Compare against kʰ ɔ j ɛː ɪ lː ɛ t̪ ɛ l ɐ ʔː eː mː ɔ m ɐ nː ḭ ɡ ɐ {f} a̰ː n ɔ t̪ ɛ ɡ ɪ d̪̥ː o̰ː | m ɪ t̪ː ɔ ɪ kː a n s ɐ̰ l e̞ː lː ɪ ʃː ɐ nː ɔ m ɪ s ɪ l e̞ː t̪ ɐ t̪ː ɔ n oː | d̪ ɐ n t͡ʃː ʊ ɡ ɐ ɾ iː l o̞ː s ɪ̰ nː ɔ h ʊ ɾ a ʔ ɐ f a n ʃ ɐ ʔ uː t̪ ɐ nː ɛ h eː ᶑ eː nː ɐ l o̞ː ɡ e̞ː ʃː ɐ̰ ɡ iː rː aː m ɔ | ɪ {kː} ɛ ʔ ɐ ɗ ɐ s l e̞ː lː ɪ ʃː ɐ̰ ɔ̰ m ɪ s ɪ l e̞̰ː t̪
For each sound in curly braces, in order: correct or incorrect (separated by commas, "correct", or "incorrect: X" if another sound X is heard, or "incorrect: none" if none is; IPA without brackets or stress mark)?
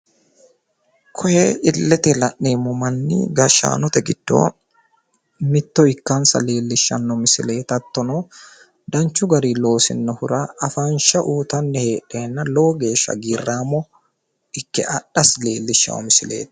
incorrect: ʃ, correct